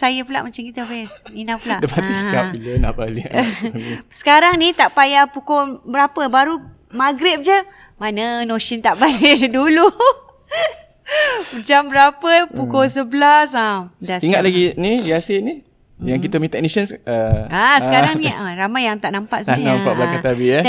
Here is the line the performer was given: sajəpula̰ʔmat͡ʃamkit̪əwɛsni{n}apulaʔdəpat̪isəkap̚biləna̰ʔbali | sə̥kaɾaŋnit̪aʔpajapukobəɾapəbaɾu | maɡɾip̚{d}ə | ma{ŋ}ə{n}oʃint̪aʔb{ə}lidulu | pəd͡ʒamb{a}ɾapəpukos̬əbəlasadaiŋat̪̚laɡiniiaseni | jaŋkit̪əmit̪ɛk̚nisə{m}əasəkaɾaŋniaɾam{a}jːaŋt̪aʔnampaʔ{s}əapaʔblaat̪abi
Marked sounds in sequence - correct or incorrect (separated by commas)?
correct, incorrect, incorrect, correct, incorrect, incorrect, incorrect, correct, correct